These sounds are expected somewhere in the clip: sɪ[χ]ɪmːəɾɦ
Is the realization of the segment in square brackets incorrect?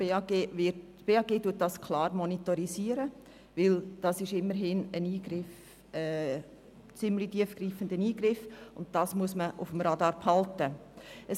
yes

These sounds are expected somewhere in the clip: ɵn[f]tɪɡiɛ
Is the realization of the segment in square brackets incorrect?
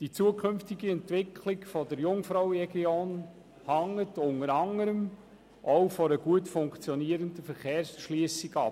no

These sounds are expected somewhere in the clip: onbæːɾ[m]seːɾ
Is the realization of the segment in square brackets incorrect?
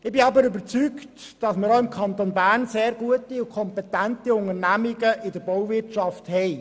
yes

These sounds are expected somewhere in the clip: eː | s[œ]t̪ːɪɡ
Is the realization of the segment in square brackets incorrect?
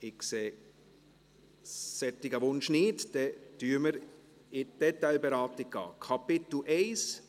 yes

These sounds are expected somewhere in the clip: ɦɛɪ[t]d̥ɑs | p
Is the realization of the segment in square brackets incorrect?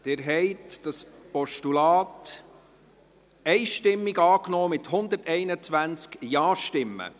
no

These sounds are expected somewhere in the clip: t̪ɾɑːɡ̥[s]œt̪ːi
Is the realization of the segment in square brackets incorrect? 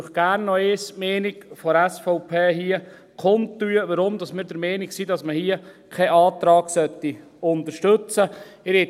no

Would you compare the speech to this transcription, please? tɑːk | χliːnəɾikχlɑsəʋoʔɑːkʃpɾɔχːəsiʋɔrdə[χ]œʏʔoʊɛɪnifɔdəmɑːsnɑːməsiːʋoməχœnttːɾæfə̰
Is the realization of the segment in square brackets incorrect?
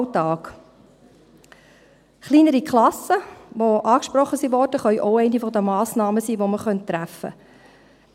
no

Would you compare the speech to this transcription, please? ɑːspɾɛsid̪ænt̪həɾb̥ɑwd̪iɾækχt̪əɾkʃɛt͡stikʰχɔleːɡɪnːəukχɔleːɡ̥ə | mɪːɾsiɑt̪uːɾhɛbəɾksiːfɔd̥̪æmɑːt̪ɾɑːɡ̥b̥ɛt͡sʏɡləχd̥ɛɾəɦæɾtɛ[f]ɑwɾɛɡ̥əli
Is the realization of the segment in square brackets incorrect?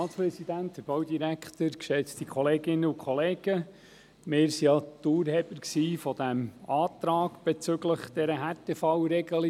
no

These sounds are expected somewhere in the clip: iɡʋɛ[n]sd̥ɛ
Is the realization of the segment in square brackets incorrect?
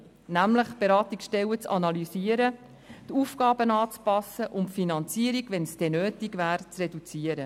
no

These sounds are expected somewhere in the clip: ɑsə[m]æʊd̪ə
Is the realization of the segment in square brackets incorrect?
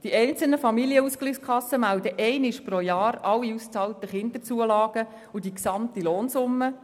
no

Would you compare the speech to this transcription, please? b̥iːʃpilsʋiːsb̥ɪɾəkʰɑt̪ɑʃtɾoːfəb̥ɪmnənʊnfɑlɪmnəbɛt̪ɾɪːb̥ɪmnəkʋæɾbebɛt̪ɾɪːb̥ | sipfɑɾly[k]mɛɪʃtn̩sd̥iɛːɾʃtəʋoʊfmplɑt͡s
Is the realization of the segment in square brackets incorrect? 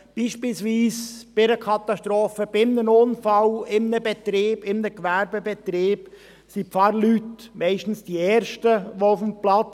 yes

